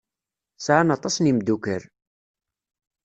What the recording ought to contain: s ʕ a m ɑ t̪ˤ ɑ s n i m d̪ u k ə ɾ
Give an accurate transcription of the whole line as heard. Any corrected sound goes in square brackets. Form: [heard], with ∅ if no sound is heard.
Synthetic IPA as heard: s ʕ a [n] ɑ t̪ˤ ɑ s n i m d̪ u k ə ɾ